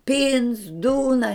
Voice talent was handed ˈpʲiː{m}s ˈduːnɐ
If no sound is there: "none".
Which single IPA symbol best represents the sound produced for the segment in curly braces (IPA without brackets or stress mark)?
n